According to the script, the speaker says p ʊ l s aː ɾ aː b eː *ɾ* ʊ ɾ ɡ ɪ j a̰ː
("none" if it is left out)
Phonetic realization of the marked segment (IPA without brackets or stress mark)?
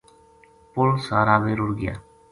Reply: ɾ